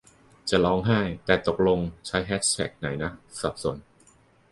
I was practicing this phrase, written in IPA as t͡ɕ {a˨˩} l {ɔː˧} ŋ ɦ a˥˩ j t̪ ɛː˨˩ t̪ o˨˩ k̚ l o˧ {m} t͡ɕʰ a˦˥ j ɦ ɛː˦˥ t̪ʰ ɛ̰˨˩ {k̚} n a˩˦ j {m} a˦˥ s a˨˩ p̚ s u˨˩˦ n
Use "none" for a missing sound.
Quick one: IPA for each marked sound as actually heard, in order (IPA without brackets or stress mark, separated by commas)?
a˨˩, ɔː˦˥, ŋ, k̚, n